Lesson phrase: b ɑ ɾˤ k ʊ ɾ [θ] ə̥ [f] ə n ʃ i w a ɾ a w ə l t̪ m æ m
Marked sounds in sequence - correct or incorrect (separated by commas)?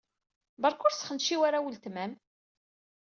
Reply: incorrect, incorrect